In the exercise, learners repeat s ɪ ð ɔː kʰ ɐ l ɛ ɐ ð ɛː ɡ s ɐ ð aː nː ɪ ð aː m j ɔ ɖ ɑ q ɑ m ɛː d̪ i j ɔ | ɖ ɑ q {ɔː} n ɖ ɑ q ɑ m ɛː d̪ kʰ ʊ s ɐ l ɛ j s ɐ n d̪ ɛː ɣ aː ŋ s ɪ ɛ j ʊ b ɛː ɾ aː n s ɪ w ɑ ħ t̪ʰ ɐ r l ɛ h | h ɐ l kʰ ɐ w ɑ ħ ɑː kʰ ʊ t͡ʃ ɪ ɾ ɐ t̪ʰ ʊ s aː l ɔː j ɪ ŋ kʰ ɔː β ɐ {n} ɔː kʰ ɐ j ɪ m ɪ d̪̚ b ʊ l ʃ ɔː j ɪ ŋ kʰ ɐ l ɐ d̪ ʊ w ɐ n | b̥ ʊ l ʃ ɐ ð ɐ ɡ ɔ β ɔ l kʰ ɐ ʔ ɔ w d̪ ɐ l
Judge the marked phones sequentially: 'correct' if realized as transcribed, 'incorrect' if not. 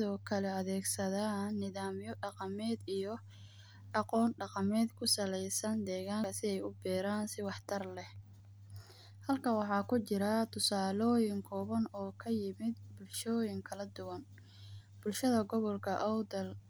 correct, correct

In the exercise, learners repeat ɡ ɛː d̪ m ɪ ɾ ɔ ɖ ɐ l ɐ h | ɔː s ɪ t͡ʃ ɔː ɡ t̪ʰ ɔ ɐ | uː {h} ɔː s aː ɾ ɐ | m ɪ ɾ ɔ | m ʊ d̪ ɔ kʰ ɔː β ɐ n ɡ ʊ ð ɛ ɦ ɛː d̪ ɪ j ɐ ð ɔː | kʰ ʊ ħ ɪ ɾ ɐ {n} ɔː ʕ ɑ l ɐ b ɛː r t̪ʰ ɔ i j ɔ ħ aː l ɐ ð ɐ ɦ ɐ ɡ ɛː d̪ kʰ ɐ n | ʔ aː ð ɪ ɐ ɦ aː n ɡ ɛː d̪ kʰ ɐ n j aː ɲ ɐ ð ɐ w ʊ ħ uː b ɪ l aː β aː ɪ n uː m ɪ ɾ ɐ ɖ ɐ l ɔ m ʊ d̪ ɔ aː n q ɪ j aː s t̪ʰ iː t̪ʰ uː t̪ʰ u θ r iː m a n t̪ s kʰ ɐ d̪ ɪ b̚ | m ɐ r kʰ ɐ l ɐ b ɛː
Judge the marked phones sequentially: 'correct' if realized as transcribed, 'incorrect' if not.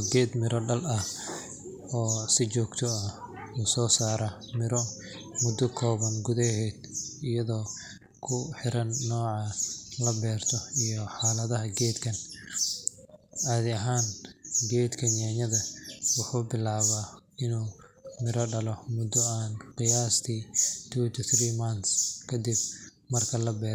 incorrect: s, incorrect: nː

